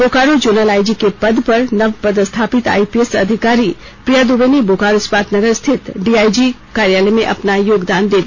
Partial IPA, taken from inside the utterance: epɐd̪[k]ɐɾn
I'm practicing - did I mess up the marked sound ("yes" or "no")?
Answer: yes